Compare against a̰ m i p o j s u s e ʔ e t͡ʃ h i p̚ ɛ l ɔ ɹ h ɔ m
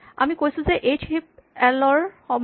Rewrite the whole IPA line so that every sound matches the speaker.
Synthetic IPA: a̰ m i k o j s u z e ʔ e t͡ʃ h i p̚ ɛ l ɔ ɹ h ɔ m